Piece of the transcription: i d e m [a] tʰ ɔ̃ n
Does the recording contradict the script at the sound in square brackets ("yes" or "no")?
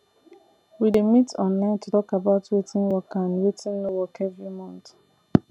yes